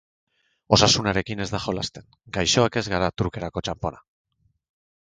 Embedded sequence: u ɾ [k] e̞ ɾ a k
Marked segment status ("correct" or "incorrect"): correct